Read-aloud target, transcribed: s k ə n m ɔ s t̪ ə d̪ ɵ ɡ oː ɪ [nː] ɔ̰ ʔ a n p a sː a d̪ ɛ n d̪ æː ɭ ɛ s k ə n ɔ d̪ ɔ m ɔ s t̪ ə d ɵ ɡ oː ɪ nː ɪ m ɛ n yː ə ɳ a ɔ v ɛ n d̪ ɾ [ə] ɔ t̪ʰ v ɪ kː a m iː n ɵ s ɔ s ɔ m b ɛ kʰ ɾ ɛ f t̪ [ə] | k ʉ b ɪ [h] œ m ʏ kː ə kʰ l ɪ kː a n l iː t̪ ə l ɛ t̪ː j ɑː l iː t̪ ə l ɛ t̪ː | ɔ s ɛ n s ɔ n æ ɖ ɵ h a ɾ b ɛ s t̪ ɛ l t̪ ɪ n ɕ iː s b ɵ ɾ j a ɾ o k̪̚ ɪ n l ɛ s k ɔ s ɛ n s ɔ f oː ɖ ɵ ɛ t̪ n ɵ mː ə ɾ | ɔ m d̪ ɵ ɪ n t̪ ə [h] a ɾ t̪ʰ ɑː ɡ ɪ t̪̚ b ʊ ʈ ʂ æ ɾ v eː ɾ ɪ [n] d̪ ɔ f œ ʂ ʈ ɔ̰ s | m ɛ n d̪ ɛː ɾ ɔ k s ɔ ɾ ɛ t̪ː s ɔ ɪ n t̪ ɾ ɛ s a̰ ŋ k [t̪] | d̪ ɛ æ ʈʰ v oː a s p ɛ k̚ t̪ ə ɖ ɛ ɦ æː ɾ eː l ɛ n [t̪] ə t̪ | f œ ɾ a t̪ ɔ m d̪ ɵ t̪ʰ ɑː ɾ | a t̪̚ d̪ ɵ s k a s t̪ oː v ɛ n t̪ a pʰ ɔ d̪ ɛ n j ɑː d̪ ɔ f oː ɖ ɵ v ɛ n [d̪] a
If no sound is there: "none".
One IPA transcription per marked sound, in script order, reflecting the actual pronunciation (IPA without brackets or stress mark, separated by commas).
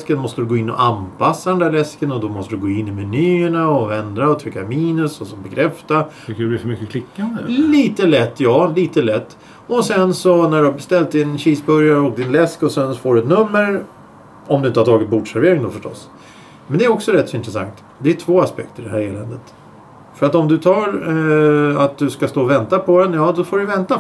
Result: nː, a, a, f, h, ŋ, t̪, d̪, t̪